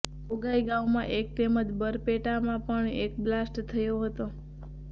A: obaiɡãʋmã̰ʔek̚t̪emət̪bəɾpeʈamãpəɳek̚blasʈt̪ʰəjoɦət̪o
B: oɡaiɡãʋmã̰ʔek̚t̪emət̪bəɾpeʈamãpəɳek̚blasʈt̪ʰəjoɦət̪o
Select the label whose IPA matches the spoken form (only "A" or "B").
B